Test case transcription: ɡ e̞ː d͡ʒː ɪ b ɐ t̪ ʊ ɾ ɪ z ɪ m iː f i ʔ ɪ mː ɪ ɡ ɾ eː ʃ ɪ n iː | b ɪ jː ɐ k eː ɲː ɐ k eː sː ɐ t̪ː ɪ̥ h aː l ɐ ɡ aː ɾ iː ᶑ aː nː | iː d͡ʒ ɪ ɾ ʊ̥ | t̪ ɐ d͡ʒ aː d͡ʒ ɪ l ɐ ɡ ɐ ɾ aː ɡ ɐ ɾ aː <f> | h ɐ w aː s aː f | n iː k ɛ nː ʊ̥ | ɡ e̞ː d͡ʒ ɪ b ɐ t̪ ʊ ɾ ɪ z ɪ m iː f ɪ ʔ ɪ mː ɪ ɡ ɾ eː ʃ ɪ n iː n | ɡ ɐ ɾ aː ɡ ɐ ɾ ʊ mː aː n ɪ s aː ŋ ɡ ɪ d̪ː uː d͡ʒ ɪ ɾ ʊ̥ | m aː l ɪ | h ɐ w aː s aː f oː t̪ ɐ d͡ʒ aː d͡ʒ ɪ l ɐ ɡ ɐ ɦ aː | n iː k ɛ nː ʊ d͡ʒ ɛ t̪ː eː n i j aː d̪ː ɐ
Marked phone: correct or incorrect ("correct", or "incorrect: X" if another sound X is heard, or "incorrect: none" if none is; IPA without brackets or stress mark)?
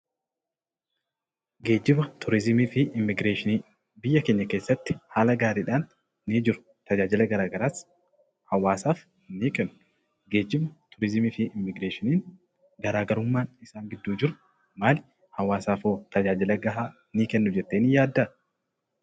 incorrect: s